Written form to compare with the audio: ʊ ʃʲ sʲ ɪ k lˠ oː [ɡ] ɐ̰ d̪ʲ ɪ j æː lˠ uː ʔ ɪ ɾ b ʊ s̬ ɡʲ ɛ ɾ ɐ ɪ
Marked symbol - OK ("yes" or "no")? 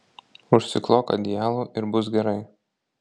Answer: no